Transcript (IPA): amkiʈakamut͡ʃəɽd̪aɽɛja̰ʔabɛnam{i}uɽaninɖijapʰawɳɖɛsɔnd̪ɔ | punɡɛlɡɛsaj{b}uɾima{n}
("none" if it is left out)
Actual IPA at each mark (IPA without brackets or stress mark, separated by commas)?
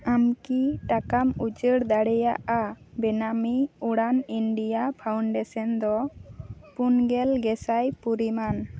i, p, n